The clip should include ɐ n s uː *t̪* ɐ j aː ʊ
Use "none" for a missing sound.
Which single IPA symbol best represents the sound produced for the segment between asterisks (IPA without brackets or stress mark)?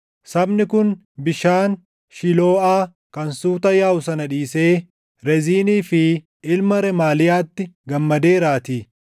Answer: t̪